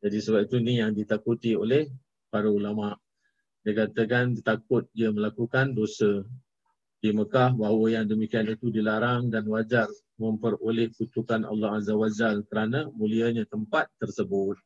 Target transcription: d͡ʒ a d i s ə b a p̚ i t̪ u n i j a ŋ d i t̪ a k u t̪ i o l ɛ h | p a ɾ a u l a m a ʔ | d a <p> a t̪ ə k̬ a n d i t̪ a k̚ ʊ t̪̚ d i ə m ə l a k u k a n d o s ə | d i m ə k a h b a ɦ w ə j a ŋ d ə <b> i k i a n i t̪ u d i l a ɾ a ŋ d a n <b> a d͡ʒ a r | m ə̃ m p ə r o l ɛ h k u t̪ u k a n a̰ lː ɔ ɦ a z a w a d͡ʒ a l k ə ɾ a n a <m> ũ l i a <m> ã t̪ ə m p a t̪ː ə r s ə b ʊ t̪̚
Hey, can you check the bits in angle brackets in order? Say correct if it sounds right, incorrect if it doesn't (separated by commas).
incorrect, incorrect, incorrect, correct, incorrect